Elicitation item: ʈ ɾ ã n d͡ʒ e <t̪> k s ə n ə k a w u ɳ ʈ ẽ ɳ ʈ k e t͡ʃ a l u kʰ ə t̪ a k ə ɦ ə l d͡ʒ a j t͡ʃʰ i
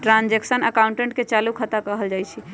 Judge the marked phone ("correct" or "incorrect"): incorrect